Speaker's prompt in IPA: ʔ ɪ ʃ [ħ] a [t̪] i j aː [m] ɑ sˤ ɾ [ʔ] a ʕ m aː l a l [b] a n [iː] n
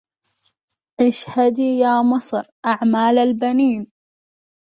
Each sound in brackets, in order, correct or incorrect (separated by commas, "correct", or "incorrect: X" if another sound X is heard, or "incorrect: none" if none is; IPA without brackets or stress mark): incorrect: h, incorrect: d̪, correct, correct, correct, correct